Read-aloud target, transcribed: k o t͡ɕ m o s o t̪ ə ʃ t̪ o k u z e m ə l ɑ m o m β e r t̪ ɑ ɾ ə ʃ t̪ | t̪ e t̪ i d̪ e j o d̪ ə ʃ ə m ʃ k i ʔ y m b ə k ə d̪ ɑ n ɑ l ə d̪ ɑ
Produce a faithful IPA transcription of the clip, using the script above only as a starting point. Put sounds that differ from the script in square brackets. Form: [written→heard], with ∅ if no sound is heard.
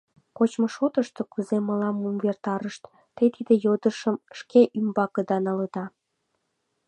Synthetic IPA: k o t͡ɕ m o [s→ʃ] o t̪ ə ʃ t̪ o k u z e m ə l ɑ m [o→u] m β e r t̪ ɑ ɾ ə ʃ t̪ | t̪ e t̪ i d̪ e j o d̪ ə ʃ ə m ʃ k [i→e] ʔ y m b [ə→ɑ] k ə d̪ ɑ n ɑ l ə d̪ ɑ